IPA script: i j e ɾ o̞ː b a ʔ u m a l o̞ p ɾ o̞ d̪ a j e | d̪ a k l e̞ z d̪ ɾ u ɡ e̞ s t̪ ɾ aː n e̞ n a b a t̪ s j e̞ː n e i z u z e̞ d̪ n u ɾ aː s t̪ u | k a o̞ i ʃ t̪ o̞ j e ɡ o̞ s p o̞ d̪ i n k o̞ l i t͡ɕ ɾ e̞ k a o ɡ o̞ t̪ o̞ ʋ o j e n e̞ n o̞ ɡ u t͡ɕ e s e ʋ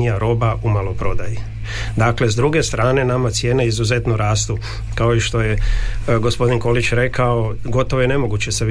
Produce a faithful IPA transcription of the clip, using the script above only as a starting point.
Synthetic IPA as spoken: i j a ɾ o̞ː b a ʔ u m a l o̞ p ɾ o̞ d̪ a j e | d̪ a k l e̞ z d̪ ɾ u ɡ e̞ s t̪ ɾ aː n e̞ n a m a t̪ s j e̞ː n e i z u z e̞ t̪ n u ɾ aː s t̪ u | k a o̞ i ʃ t̪ o̞ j e ɡ o̞ s p o̞ d̪ i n k o̞ l i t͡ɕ ɾ e̞ k a o ɡ o̞ t̪ o̞ ʋ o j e n e̞ m o̞ ɡ u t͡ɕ e s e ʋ